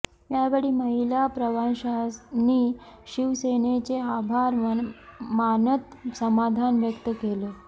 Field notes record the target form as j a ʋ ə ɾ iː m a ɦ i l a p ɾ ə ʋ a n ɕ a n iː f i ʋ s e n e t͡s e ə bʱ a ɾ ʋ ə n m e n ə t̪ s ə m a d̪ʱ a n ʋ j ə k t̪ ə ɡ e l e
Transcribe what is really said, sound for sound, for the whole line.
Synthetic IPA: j a ʋ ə ɽ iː m ə ɦ i l a p ɾ ə ʋ a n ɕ a n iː ɕ i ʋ s e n e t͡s e a bʱ a ɾ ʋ ə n m a n ə t̪ s ə m a d̪ʱ a n ʋ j ə k t̪ ə k e l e